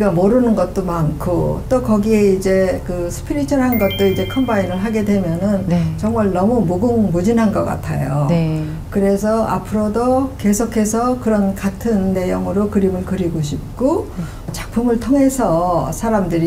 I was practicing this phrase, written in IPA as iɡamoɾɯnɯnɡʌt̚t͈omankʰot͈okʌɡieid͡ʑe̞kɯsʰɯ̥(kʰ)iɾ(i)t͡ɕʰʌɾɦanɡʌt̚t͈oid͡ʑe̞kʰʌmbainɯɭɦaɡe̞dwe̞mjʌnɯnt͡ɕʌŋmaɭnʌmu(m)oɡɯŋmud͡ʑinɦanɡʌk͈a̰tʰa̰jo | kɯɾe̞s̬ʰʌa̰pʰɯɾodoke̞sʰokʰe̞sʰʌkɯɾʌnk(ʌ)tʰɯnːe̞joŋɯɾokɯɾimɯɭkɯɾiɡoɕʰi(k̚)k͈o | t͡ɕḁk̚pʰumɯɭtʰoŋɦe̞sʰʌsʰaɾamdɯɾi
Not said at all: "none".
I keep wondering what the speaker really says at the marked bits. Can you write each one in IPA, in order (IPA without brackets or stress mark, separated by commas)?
pʰ, i, m, a, p̚